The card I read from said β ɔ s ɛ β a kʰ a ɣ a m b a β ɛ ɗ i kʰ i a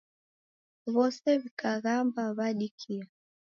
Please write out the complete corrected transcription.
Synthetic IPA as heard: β ɔ s ɛ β i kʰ a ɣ a m b a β a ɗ i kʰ i a